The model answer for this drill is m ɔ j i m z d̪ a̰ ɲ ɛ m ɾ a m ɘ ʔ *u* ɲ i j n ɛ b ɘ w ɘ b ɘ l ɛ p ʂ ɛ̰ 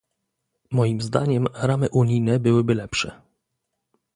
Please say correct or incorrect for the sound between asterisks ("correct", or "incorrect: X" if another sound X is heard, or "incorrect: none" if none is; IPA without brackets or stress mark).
correct